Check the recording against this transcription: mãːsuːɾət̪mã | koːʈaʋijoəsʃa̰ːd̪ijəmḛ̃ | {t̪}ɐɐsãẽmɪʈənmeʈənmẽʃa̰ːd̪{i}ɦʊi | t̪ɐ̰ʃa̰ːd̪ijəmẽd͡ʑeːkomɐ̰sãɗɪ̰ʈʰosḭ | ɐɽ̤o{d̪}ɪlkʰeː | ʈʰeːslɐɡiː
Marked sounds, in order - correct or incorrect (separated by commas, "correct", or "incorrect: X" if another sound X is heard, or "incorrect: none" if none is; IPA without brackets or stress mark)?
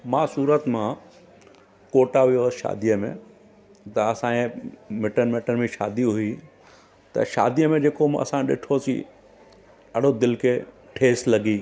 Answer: correct, correct, correct